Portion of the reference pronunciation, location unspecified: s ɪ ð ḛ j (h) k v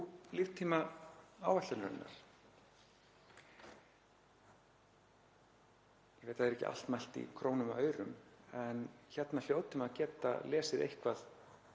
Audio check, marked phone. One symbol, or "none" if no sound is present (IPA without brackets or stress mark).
h